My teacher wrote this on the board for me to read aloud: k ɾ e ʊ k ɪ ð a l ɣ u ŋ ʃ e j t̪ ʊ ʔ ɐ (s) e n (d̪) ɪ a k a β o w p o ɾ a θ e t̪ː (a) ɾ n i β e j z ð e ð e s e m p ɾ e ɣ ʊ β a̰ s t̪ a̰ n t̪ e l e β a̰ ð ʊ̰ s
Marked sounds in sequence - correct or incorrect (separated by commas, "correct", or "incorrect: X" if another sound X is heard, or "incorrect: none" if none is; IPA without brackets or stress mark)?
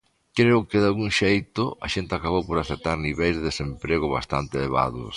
incorrect: ʃ, incorrect: t̪, correct